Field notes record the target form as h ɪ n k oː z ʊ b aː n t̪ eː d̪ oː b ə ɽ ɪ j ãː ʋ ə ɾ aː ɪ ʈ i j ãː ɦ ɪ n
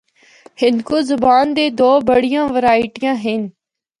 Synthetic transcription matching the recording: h ɪ n k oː z ʊ b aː n d̪ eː d̪ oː b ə ɽ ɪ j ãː ʋ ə ɾ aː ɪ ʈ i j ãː ɦ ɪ n